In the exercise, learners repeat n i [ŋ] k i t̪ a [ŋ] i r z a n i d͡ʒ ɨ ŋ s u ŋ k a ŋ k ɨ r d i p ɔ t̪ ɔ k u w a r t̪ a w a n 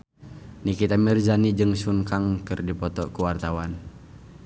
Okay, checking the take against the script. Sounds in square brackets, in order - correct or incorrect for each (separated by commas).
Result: incorrect, incorrect